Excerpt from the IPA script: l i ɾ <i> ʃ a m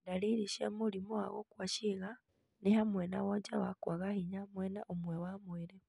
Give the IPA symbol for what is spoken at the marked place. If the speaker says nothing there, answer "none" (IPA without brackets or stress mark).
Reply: i